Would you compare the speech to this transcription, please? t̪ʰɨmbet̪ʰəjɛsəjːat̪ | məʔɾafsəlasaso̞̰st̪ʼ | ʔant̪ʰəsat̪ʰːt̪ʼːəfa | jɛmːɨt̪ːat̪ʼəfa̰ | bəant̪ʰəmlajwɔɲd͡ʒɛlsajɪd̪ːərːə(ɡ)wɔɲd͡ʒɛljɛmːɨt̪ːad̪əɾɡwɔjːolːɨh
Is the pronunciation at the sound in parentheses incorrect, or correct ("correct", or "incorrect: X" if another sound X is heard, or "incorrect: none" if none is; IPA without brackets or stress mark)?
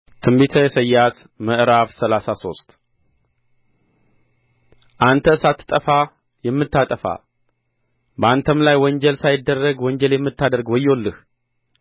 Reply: correct